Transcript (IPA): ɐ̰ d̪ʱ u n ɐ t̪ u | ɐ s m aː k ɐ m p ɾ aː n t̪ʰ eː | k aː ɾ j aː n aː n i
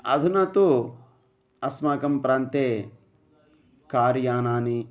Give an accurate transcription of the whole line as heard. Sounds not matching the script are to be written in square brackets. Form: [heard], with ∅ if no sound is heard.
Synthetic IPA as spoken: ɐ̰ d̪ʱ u n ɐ t̪ u | ɐ s m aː k ɐ m p ɾ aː n [t̪] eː | k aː ɾ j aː n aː n i